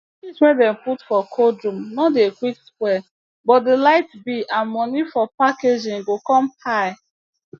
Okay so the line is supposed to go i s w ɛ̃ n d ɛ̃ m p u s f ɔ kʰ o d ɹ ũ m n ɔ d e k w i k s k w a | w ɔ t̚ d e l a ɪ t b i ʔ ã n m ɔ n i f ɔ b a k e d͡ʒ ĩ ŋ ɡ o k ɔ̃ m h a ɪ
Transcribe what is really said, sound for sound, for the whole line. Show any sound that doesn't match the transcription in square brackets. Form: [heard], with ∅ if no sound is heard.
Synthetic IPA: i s w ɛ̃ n d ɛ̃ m p u [t] f ɔ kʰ o d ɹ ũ m n ɔ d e k w i k s k w [ɛ] | [b] ɔ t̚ d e l a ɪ t b i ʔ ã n m ɔ n i f ɔ [p] a k e d͡ʒ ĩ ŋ ɡ o k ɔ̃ m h a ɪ